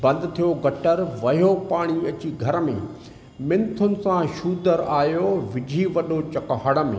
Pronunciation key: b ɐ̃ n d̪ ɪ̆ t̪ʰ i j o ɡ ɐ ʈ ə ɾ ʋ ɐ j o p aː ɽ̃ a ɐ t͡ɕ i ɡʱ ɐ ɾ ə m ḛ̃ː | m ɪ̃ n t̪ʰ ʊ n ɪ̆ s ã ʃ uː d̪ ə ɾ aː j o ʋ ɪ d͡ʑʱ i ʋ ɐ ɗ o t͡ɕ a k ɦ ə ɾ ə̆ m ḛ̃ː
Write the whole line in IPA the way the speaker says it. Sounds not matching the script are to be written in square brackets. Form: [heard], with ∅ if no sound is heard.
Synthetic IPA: b ɐ̃ n d̪ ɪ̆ t̪ʰ i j o ɡ ɐ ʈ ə ɾ ʋ ɐ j o p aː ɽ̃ [i] ɐ t͡ɕ i ɡʱ ɐ ɾ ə m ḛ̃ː | m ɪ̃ n t̪ʰ ʊ n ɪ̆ s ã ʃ uː d̪ ə ɾ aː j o ʋ ɪ d͡ʑʱ i ʋ ɐ ɗ o t͡ɕ [ɐ] k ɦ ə [ɽ] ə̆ m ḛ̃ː

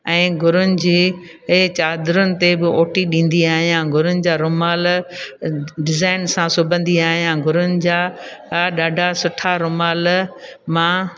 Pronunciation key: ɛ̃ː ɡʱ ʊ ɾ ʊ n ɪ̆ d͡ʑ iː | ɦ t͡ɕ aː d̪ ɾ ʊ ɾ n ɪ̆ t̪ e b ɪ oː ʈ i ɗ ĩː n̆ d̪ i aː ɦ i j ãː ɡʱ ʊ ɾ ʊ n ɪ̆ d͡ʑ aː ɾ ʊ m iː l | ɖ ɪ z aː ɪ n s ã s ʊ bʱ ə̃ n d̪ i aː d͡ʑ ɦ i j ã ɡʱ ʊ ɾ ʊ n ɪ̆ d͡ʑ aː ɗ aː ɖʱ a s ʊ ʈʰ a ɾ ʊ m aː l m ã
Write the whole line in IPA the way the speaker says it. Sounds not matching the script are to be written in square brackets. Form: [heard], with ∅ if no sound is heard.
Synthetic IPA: ɛ̃ː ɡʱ ʊ ɾ ʊ n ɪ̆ d͡ʑ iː | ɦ t͡ɕ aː d̪ ɾ ʊ [∅] n ɪ̆ t̪ e b ɪ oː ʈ i ɗ ĩː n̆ d̪ i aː ɦ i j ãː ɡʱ ʊ ɾ ʊ n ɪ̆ d͡ʑ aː ɾ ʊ m [aː] l | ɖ ɪ z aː ɪ n s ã s ʊ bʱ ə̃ n d̪ i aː [∅] ɦ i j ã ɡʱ ʊ ɾ ʊ n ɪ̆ d͡ʑ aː ɗ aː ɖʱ a s ʊ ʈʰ a ɾ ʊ m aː l m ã

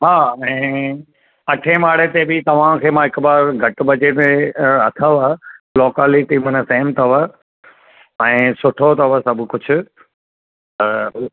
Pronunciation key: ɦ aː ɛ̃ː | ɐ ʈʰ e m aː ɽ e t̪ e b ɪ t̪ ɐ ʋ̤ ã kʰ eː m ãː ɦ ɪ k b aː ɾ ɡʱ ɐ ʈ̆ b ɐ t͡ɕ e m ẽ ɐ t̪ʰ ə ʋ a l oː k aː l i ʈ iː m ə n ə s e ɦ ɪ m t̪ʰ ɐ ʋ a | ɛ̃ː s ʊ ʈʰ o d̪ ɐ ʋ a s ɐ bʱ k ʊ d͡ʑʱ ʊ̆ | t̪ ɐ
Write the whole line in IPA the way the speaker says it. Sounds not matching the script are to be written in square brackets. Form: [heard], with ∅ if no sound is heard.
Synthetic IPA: ɦ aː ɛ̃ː | ɐ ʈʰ e m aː ɽ e t̪ e b ɪ t̪ ɐ ʋ̤ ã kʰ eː m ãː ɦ ɪ k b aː ɾ ɡʱ ɐ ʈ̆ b ɐ t͡ɕ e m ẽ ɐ t̪ʰ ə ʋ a l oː k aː l i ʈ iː m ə n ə s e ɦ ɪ m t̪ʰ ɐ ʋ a | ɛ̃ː s ʊ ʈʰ o [t̪] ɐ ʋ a s ɐ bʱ k ʊ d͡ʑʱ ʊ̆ | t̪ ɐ

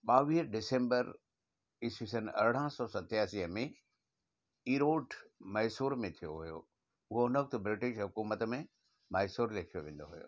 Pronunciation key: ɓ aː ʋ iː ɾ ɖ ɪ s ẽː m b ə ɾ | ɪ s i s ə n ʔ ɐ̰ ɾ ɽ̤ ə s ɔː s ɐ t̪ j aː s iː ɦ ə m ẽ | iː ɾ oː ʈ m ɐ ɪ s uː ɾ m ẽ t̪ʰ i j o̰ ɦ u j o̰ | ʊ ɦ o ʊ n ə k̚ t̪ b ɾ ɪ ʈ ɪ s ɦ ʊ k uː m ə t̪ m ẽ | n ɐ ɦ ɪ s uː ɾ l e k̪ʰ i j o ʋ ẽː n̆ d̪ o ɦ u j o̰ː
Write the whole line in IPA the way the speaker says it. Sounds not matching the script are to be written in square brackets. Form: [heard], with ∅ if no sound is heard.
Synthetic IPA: ɓ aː ʋ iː ɾ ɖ ɪ s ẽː m b ə ɾ | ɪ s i s ə n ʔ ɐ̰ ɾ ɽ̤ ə s ɔː s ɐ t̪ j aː s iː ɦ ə m ẽ | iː ɾ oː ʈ m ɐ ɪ s uː ɾ m ẽ t̪ʰ i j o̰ ɦ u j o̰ | ʊ ɦ o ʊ n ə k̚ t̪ b ɾ ɪ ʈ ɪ [ʃ] ɦ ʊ k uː m ə t̪ m ẽ | [m] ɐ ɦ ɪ s uː ɾ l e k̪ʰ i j o ʋ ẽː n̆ d̪ o ɦ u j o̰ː

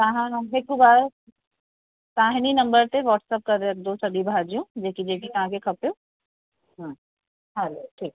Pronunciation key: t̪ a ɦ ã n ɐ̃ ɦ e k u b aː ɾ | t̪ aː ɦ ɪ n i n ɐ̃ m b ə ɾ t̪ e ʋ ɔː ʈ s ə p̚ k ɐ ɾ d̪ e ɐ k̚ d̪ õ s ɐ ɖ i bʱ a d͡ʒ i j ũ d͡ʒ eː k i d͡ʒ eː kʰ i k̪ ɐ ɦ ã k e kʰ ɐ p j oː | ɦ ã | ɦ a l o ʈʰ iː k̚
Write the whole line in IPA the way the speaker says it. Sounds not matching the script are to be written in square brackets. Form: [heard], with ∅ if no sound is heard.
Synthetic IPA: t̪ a ɦ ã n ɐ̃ ɦ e k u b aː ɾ | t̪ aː ɦ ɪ n i n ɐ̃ m b ə ɾ t̪ e ʋ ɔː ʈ s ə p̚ k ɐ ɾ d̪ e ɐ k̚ d̪ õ s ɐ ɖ i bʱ a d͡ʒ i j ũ d͡ʒ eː k i d͡ʒ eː [k] i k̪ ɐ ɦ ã k e kʰ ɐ p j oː | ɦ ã | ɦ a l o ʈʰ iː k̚

